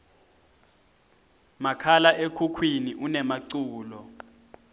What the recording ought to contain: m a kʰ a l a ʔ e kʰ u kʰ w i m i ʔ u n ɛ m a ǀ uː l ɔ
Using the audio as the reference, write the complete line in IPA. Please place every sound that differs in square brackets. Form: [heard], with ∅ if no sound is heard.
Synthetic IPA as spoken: m a kʰ a l a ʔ e kʰ u kʰ w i [n] i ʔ u n ɛ m a ǀ uː l ɔ

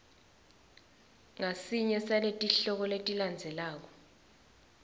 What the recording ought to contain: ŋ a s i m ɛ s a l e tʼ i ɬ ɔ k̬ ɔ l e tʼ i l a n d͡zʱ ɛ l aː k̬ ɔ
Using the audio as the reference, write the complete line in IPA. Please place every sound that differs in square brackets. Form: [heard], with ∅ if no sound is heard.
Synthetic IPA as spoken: ŋ a s i [ɲ] ɛ s a l e tʼ i ɬ ɔ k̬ ɔ l e tʼ i l a n d͡zʱ ɛ l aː k̬ ɔ

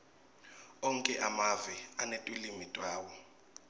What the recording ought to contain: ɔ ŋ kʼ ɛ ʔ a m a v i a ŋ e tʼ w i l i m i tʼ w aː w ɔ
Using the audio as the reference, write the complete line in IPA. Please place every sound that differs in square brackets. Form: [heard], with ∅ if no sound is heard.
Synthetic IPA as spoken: ɔ ŋ kʼ ɛ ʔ a m a v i a [n] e tʼ w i l i m i tʼ w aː w ɔ

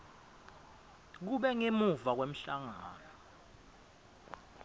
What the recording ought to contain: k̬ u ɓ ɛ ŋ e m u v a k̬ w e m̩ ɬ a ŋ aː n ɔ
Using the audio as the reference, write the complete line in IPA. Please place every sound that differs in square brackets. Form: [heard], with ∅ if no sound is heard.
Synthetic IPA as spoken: k̬ u ɓ ɛ ŋ e m u v a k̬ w e m̩ ɬ a ŋ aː n ɔ

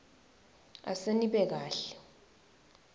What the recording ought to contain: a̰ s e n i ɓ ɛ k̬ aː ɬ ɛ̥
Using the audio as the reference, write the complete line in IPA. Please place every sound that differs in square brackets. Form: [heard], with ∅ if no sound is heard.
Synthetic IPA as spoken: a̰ s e n i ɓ ɛ k̬ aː ɬ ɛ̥

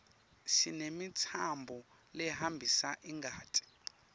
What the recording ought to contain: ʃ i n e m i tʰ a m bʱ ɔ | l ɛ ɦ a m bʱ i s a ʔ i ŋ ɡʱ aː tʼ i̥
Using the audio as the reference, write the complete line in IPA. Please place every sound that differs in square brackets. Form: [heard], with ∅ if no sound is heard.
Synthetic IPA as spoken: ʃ i n e m i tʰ a m bʱ ɔ | l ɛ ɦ a m bʱ i s a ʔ i ŋ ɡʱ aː tʼ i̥

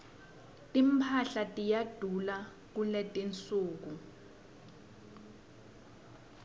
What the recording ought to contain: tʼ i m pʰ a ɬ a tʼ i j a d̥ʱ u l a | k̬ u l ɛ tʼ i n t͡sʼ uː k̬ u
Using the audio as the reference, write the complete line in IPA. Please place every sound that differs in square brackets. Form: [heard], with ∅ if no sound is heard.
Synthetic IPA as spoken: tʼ i m pʰ a ɬ a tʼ i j a d̥ʱ u l a | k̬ u l ɛ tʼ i n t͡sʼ uː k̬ u

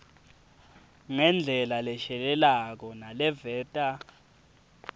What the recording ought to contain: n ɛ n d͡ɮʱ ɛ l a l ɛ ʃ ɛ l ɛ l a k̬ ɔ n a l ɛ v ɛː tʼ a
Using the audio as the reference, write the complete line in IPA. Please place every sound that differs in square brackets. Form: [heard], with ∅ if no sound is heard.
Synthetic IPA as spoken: [ŋ] ɛ n d͡ɮʱ ɛ l a l ɛ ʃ ɛ l ɛ l a k̬ ɔ n a l ɛ v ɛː tʼ a

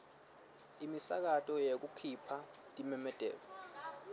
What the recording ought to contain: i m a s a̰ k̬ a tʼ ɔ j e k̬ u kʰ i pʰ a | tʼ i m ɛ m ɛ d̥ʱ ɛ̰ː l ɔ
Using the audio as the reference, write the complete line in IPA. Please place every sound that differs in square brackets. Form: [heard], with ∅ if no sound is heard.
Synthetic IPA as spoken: i m [i] s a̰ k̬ a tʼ ɔ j e k̬ u kʰ i pʰ a | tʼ i m ɛ m ɛ d̥ʱ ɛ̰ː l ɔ

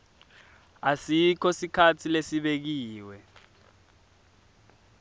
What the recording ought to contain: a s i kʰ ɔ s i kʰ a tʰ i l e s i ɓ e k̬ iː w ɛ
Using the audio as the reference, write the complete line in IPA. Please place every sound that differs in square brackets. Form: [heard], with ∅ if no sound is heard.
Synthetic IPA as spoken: a s i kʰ ɔ s i kʰ a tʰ i l e s i ɓ e k̬ iː w ɛ

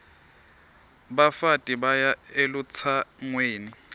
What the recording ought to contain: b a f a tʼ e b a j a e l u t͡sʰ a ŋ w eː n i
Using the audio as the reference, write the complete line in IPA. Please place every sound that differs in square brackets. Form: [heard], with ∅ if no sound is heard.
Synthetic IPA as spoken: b a f a tʼ [i] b a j a e l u t͡sʰ a ŋ w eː n i

